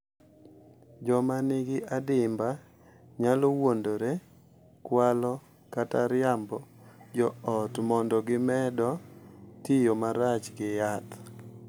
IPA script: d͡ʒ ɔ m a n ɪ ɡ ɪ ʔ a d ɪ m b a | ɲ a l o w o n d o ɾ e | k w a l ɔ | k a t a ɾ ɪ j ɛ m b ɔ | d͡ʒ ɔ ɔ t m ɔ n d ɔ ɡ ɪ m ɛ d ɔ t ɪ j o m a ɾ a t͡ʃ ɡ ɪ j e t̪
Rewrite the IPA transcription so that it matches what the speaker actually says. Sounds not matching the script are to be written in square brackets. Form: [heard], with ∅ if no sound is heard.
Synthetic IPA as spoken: d͡ʒ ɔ m a n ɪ ɡ ɪ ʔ a d ɪ m b a | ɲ a l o w o n d o ɾ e | k w a l ɔ | k a t a ɾ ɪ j [a] m b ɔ | d͡ʒ ɔ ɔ t m ɔ n d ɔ ɡ ɪ m ɛ d ɔ t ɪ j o m a ɾ a t͡ʃ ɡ ɪ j [a] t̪

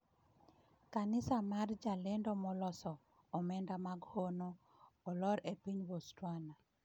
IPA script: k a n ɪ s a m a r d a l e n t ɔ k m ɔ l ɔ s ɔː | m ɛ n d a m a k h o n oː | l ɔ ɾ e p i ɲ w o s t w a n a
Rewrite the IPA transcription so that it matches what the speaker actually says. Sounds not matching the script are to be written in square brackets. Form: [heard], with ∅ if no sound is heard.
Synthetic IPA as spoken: k a n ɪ s a m a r [d͡ʒ] a l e n [d] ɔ [∅] m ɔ l ɔ s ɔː | m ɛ n d a m a [ɡ] h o n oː | l ɔ ɾ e p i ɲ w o s t w a n a

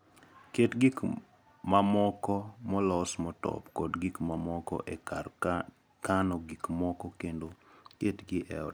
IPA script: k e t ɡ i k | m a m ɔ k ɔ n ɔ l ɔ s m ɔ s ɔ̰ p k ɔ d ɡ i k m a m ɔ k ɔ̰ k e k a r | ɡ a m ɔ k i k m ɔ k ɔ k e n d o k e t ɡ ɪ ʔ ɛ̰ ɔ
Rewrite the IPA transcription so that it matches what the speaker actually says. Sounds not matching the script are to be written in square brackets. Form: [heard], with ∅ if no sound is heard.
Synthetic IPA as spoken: k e t ɡ i k | m a m ɔ k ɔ [m] ɔ l ɔ s m ɔ [t] ɔ̰ p k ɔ d ɡ i k m a m ɔ k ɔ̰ [ʔ] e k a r | [k] a [n] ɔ [ɡ] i k m ɔ k ɔ k e n d o k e t ɡ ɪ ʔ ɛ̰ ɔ

